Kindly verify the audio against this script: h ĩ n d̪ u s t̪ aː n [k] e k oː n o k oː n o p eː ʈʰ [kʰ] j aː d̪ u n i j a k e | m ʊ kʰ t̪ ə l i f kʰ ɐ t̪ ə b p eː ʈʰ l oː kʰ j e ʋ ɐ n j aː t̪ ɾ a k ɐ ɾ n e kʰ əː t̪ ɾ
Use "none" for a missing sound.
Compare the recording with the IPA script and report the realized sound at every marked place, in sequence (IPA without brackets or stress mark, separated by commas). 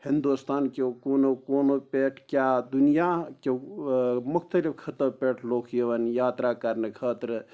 k, k